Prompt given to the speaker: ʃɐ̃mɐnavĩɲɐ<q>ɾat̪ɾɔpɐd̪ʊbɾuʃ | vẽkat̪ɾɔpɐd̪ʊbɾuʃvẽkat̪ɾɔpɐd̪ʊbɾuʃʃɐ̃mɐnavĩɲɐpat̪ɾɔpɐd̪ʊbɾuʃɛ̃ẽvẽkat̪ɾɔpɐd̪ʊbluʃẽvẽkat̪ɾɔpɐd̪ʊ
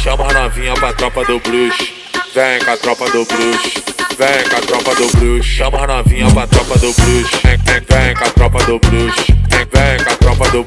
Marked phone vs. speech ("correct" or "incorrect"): incorrect